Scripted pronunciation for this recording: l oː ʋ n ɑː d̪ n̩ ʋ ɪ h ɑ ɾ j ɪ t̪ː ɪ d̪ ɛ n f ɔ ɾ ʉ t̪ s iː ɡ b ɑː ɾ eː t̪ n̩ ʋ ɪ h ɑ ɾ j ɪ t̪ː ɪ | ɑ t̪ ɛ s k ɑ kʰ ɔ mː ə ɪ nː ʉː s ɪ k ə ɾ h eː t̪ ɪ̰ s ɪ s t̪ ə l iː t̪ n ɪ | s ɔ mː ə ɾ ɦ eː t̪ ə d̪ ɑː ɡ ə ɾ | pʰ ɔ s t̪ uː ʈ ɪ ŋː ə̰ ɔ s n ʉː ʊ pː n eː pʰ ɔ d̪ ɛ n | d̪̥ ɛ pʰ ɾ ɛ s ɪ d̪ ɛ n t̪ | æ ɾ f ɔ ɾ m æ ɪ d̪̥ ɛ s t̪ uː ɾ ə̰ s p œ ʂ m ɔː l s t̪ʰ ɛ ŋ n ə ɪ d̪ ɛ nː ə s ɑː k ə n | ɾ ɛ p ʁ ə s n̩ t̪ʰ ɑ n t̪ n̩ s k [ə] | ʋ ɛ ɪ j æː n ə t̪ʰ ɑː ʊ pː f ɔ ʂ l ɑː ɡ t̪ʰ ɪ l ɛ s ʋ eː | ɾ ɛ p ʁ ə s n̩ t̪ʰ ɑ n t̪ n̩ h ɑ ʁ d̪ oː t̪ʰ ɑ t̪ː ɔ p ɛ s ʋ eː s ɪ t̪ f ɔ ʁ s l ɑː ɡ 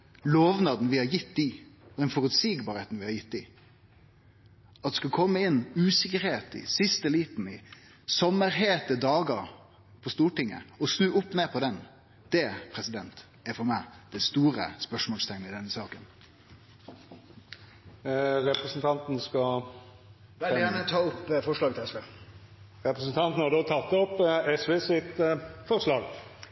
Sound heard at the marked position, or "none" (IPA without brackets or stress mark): ɑ